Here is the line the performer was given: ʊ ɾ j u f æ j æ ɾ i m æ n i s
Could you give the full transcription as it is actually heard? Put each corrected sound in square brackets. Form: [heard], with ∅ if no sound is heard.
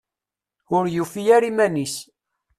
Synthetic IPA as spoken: ʊ ɾ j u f [i] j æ ɾ i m æ n i s